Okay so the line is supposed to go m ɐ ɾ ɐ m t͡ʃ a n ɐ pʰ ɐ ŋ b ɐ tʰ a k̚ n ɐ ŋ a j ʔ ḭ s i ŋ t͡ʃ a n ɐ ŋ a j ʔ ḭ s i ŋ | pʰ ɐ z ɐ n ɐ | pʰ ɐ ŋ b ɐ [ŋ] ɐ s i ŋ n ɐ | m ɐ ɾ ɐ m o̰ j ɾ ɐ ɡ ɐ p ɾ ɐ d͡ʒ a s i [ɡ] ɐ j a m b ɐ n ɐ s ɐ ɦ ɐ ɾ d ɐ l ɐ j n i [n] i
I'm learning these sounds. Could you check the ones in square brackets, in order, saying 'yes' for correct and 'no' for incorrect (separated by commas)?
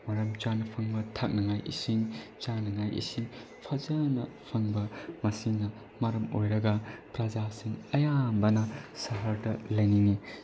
no, no, no